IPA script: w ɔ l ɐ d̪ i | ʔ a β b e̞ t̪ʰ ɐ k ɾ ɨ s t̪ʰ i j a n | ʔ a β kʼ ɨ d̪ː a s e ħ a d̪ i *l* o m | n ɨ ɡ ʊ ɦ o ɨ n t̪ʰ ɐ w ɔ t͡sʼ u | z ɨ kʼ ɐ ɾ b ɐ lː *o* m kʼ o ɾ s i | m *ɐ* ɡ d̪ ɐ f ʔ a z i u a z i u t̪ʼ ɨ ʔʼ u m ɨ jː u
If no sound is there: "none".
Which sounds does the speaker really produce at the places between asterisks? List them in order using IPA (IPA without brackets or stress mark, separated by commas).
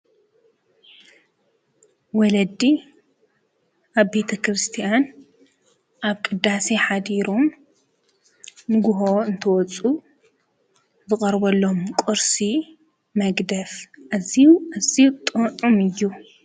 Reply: ɾ, o, ɐ